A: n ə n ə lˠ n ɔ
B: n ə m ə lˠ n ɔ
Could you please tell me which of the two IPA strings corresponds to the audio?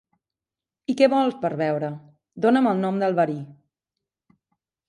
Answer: B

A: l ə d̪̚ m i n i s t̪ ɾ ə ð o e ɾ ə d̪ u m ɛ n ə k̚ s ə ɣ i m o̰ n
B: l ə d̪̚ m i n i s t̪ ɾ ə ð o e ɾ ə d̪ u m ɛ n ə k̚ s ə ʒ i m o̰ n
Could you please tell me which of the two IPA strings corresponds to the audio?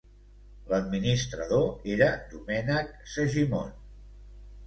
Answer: B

